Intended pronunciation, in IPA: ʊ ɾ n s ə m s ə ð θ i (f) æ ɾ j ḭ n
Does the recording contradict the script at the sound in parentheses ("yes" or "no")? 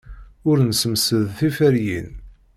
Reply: no